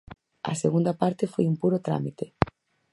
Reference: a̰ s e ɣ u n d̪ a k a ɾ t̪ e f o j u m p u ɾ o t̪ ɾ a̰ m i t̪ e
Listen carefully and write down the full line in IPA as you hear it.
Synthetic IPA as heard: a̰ s e ɣ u n d̪ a p a ɾ t̪ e f o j u m p u ɾ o t̪ ɾ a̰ m i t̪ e